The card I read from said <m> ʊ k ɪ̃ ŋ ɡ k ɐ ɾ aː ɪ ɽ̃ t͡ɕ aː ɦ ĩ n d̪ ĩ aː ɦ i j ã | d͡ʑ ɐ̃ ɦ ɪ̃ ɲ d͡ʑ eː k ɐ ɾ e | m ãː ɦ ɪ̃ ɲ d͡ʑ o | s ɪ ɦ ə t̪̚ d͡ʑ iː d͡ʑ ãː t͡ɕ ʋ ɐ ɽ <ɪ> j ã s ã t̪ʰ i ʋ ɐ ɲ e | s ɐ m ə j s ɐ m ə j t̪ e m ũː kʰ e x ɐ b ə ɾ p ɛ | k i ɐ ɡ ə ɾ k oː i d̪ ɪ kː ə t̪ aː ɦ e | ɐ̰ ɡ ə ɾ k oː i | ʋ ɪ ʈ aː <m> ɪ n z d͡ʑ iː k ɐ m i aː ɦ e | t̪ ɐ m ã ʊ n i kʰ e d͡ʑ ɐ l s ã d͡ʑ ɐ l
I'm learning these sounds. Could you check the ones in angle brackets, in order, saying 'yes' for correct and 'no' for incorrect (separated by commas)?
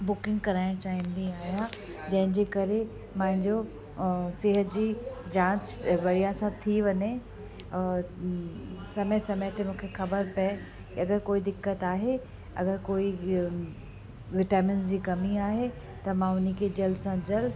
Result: no, no, yes